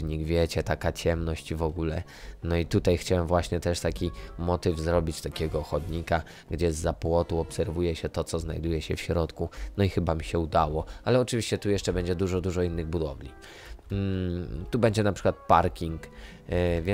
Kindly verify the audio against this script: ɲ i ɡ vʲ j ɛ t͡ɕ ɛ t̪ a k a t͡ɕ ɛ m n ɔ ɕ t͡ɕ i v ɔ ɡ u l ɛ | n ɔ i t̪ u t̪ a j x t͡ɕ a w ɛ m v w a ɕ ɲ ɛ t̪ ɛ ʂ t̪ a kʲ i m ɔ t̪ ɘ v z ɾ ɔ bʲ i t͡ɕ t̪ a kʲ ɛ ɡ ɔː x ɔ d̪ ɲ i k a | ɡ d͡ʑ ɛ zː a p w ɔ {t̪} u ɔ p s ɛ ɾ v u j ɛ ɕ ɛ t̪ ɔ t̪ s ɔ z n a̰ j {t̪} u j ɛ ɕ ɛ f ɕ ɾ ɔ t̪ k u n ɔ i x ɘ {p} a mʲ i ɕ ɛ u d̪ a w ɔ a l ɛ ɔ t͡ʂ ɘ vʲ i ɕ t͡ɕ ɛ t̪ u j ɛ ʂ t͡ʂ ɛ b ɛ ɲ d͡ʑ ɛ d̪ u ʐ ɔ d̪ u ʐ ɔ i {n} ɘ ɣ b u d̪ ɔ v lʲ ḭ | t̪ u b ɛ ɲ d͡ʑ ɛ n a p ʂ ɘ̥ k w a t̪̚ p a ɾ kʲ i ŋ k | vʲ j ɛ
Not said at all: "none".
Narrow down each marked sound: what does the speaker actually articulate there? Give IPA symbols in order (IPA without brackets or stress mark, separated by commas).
t̪, d̪, b, nː